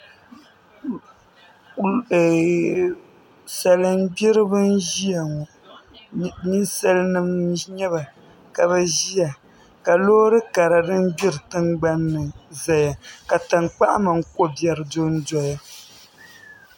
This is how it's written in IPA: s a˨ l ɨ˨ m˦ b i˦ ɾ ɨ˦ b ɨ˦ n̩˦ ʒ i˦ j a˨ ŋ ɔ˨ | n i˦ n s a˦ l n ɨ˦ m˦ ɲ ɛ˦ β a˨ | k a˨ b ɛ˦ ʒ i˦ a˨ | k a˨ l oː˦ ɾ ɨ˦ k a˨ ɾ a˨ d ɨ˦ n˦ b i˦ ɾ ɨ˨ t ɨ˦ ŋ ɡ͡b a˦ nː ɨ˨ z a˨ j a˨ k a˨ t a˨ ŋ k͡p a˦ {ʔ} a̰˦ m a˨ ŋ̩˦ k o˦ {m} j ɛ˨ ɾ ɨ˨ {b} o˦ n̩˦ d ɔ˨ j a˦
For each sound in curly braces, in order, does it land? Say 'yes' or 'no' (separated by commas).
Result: yes, no, no